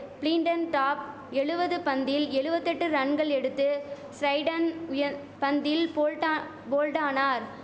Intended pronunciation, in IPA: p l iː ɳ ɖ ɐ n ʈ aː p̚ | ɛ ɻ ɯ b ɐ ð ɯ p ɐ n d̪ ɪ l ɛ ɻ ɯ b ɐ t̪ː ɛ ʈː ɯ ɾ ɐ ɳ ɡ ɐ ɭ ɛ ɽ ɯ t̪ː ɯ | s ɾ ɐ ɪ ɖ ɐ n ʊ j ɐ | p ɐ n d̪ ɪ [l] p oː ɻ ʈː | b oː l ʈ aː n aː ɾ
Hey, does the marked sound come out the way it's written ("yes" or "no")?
yes